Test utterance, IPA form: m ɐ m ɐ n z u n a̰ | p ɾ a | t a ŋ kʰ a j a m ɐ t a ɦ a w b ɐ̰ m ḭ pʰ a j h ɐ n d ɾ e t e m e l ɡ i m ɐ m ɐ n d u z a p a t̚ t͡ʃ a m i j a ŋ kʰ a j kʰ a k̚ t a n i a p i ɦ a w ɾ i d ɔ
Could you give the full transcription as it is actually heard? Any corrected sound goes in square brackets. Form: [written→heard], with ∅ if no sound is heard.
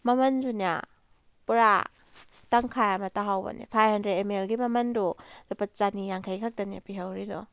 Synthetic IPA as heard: m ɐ m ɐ n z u n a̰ | p ɾ a | t a ŋ kʰ a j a m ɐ t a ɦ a w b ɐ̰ [m→n] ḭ pʰ a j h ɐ n d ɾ e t e m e l ɡ i m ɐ m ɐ n d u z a p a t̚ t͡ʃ a [m→n] i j a ŋ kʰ a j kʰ a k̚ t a n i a p i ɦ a w ɾ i d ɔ

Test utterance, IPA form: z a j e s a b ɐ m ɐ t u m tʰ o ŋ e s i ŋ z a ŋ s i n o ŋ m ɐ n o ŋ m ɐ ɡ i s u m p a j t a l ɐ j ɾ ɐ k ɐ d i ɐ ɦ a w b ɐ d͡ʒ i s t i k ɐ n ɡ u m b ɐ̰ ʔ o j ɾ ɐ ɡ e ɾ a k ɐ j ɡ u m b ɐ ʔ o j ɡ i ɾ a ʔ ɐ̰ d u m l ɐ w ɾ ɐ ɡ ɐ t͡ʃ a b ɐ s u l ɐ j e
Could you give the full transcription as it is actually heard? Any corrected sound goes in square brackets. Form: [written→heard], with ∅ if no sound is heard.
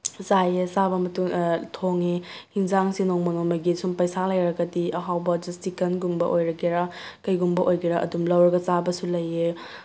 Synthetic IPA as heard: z a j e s a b ɐ m ɐ t u [m→ŋ] tʰ o ŋ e [s→h] i ŋ z a ŋ s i n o ŋ m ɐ n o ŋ m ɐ ɡ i s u m p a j [t→s] a l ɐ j ɾ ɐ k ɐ d i ɐ ɦ a w b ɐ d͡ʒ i s t i k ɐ n ɡ u m b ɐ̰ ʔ o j ɾ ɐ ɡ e ɾ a k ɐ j ɡ u m b ɐ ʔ o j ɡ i ɾ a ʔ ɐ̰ d u m l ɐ w ɾ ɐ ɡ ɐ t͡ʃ a b ɐ s u l ɐ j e

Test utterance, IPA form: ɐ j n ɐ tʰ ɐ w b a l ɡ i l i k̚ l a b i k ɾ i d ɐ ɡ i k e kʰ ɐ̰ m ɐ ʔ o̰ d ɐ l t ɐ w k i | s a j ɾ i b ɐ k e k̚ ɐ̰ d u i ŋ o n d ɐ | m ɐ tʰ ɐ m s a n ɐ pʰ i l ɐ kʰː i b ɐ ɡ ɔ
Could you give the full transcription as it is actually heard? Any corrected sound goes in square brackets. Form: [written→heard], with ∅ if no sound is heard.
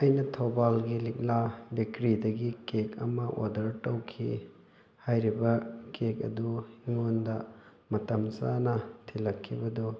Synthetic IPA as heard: ɐ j n ɐ tʰ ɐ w b a l ɡ i l i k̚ l a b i k ɾ i d ɐ ɡ i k e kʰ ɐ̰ m ɐ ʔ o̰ d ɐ [l→ɾ] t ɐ w [k→kʰ] i | [s→h] a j ɾ i b ɐ k e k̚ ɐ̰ d u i ŋ o n d ɐ | m ɐ [tʰ→t] ɐ m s a n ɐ [pʰ→tʰ] i l ɐ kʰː i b ɐ [ɡ→d] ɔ

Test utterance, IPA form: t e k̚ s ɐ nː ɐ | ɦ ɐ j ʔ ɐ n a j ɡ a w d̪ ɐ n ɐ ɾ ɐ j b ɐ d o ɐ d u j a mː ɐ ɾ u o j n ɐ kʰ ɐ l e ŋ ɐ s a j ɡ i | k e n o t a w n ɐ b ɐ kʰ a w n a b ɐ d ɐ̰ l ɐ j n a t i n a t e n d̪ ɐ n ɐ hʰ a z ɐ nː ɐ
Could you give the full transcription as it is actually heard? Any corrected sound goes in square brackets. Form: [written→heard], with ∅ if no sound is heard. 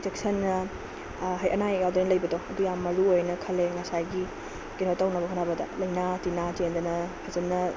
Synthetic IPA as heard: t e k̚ s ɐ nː ɐ | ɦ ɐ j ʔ ɐ n a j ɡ a w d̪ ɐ n ɐ [ɾ→l] ɐ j b ɐ d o ɐ d u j a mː ɐ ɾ u o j n ɐ kʰ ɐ l e ŋ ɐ s a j ɡ i | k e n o t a w n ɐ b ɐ kʰ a [w→∅] n a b ɐ d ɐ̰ l ɐ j n a t i n a t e n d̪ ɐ n ɐ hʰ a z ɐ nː ɐ

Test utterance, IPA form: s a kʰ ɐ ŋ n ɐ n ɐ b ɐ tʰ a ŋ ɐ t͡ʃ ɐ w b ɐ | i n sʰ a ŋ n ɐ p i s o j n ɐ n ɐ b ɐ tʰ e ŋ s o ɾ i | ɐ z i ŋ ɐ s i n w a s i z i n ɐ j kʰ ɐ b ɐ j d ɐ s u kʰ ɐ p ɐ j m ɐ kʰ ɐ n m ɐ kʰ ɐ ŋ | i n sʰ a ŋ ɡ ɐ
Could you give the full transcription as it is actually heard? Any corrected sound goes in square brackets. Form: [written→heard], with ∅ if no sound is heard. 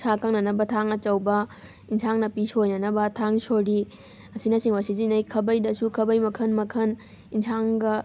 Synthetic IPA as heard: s a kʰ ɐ ŋ n ɐ n ɐ b ɐ tʰ a ŋ ɐ t͡ʃ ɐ w b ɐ | i n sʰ a ŋ n ɐ p i s o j n ɐ n ɐ b ɐ tʰ [e→a] ŋ s o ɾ i | ɐ [z→s] i [ŋ→n] ɐ s i [n→ŋ] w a s i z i n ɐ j kʰ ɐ b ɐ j d ɐ s u kʰ ɐ [p→b] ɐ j m ɐ kʰ ɐ n m ɐ kʰ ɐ [ŋ→n] | i n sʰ a ŋ ɡ ɐ

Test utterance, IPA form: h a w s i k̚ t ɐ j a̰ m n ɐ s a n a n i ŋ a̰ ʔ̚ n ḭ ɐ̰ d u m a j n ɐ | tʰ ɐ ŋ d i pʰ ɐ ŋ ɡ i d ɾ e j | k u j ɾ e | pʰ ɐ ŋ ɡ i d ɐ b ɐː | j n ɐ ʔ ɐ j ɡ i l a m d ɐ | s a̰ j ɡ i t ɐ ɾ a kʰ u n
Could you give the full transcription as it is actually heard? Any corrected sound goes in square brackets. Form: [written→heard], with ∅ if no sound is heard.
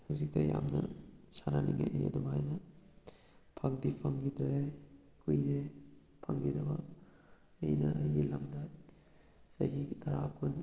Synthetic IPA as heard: h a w [s→z] i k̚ t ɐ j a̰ m n ɐ s a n a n i ŋ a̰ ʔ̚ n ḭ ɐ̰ d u m a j n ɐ | [tʰ→pʰ] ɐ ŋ d i pʰ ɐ ŋ ɡ i d ɾ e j | k u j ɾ e | pʰ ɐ ŋ ɡ i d ɐ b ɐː | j n ɐ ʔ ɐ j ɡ i l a m d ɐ | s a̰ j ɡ i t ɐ ɾ a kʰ u n

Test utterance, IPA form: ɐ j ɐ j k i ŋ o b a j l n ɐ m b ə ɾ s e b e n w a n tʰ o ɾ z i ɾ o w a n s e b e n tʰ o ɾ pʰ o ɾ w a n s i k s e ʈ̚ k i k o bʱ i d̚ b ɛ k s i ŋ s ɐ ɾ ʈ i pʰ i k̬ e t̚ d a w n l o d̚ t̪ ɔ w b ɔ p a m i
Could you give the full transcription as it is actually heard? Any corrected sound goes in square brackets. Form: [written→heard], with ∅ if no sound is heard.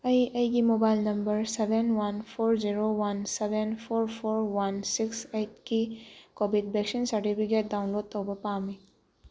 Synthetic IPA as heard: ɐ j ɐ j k i [ŋ→m] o b a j l n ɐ m b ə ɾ s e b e n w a n [tʰ→pʰ] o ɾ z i ɾ o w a n s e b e n [tʰ→pʰ] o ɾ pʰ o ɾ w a n s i k s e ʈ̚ k i k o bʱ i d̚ b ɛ k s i [ŋ→n] s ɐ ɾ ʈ i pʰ i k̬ e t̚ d a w n l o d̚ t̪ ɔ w b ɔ p a m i

